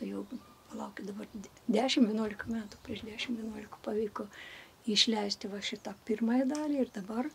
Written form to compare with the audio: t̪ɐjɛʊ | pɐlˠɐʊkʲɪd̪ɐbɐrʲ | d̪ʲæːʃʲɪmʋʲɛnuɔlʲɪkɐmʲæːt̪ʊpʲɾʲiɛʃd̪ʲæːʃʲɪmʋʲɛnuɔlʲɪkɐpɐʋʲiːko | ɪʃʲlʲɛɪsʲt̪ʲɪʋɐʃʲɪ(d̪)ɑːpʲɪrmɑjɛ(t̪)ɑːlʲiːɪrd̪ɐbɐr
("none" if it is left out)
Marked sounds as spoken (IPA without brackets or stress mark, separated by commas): t̪, d̪